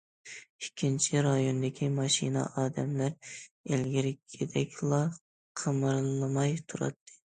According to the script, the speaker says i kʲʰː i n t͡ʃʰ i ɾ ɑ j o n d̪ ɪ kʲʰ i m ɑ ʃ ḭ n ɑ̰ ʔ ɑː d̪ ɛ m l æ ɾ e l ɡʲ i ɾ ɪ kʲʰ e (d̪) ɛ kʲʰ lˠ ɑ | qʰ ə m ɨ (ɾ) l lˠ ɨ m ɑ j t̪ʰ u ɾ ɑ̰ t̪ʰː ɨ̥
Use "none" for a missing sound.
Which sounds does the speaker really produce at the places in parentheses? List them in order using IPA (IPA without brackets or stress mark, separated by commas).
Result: d̪, ɾ